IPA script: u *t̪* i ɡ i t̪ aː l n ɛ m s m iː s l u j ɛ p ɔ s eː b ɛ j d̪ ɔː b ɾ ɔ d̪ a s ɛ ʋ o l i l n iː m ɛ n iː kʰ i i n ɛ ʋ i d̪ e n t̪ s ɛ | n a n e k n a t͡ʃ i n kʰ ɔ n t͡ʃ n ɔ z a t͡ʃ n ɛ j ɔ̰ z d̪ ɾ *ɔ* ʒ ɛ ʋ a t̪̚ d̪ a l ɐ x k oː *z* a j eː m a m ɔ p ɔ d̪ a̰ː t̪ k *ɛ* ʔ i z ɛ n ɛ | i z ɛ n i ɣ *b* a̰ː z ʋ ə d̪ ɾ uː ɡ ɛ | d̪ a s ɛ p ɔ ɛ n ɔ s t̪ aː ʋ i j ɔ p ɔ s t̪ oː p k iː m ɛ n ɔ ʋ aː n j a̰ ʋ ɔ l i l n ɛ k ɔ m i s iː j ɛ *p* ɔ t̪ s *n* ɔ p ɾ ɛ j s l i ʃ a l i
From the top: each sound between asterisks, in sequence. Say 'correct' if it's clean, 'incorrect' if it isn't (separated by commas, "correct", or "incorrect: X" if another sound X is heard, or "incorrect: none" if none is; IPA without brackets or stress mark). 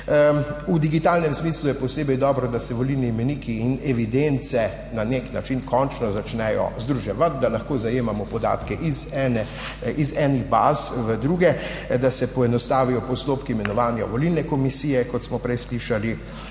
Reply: incorrect: d̪, incorrect: u, correct, correct, correct, incorrect: k, incorrect: m